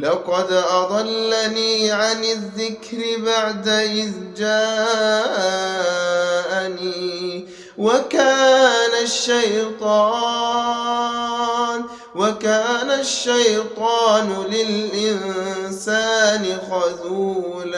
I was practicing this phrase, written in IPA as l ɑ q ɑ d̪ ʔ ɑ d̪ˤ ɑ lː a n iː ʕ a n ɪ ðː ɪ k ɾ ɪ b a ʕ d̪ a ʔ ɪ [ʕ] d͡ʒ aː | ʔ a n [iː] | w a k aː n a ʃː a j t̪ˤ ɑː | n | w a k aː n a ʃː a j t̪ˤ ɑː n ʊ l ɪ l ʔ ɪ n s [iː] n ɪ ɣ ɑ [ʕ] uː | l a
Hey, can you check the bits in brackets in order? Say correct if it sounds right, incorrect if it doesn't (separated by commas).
incorrect, correct, incorrect, incorrect